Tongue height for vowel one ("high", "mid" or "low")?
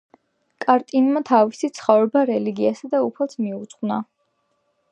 low